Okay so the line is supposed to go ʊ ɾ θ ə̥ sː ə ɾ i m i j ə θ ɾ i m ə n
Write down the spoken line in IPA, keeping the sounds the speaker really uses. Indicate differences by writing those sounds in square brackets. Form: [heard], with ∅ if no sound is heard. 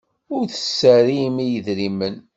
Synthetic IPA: ʊ ɾ θ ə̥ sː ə ɾ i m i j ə [ð] ɾ i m ə n